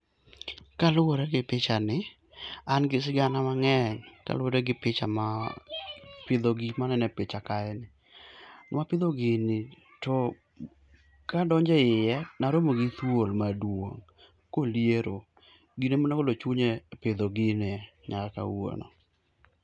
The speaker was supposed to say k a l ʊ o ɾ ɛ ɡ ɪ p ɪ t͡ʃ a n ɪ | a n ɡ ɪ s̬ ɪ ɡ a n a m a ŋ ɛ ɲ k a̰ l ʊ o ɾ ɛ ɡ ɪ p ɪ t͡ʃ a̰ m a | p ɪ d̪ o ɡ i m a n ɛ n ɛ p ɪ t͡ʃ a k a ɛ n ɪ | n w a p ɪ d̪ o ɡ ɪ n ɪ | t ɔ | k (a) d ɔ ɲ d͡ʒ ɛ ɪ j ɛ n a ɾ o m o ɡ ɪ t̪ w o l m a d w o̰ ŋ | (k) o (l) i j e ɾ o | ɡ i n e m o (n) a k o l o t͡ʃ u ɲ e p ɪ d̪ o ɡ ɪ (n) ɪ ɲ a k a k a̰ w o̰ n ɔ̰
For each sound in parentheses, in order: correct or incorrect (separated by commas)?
correct, correct, correct, correct, correct